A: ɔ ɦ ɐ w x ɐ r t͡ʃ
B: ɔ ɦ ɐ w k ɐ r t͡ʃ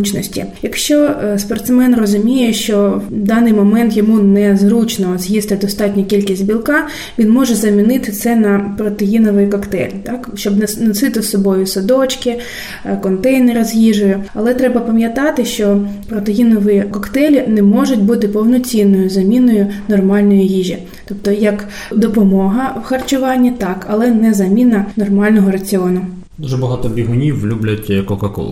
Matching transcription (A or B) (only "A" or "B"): A